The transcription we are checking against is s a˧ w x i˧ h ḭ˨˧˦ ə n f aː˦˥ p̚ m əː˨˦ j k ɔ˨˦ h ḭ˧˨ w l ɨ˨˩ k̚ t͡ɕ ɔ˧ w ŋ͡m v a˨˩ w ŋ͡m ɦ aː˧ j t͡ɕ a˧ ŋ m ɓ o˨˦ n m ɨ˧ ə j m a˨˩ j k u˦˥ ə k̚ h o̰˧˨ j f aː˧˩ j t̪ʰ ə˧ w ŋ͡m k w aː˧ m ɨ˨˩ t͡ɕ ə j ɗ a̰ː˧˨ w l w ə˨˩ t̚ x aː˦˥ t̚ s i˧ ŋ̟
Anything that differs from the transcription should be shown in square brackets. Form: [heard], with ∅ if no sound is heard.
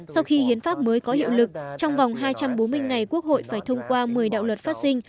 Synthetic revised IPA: s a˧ w x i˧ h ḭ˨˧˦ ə n f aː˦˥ p̚ m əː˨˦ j k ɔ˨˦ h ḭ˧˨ w l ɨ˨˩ k̚ t͡ɕ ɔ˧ w ŋ͡m v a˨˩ w ŋ͡m ɦ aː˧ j t͡ɕ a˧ [∅] m ɓ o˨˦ n m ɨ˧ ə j [ŋ] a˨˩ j k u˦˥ ə k̚ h o̰˧˨ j f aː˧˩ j t̪ʰ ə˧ w ŋ͡m k w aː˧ m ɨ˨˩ [∅] ə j ɗ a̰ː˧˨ w l w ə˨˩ t̚ [f] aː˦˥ t̚ s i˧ ŋ̟